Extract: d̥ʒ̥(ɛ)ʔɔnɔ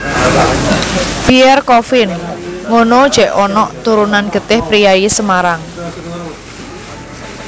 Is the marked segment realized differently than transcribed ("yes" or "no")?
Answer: no